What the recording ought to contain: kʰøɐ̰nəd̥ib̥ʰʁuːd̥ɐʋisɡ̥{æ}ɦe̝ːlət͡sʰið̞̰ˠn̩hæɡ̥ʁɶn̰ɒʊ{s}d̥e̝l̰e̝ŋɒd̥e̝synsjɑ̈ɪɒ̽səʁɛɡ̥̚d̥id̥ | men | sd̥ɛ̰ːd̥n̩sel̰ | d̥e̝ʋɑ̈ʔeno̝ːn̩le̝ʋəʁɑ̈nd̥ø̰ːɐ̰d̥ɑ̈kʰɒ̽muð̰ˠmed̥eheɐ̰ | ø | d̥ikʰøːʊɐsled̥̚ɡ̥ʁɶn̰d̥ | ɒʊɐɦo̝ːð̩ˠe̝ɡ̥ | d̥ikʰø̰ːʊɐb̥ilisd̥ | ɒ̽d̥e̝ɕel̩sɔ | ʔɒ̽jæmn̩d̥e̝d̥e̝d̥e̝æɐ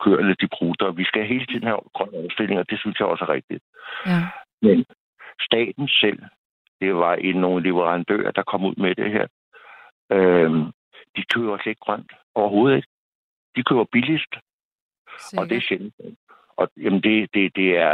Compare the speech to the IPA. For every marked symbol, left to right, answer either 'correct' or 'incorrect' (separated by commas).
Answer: correct, correct